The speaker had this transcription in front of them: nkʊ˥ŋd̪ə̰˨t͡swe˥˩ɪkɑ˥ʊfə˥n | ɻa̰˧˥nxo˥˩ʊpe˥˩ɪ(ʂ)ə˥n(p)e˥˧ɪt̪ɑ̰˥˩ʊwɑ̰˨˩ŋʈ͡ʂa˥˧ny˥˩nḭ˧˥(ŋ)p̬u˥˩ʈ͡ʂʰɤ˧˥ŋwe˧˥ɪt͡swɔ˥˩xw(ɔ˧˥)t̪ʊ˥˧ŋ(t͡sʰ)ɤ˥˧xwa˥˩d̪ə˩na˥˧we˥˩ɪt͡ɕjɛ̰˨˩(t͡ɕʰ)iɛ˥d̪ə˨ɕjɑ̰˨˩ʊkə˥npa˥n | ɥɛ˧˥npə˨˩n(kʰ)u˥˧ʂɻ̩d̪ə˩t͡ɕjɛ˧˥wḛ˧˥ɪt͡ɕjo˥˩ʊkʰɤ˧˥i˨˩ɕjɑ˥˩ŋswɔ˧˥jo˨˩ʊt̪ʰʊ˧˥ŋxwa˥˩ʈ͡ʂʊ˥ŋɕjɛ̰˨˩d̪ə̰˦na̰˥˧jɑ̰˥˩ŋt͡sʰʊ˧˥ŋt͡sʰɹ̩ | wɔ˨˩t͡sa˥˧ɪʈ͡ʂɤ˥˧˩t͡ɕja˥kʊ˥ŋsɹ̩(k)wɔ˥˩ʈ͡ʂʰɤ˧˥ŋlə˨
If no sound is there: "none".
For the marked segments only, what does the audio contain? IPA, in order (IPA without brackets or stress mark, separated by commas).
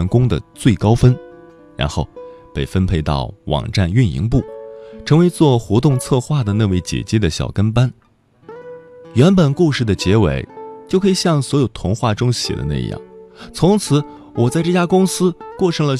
f, pʰ, ŋ, ɔ˧˥, t͡sʰ, t͡ɕ, k, k